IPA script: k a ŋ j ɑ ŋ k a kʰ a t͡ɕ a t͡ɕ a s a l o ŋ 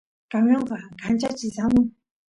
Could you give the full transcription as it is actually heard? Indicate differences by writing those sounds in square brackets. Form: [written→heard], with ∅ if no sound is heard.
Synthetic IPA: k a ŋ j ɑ ŋ k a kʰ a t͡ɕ a t͡ɕ [a→i] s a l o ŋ